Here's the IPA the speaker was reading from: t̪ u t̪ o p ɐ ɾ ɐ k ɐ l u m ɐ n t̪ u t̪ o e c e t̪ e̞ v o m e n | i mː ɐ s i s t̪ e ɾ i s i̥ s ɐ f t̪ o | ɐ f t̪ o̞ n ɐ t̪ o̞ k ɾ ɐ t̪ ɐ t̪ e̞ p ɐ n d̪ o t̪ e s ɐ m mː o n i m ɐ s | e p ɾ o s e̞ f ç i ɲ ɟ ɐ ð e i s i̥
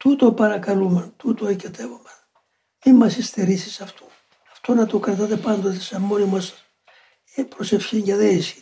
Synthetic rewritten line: t̪ u t̪ o p ɐ ɾ ɐ k ɐ l u m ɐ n t̪ u t̪ o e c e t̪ e̞ v o m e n | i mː ɐ s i s t̪ e ɾ i s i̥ s ɐ f t̪ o | ɐ f t̪ o̞ n ɐ t̪ o̞ k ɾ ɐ t̪ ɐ t̪ e̞ p ɐ n d̪ o t̪ e s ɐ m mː o n i m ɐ s | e p ɾ o s e̞ f ç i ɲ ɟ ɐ ð e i s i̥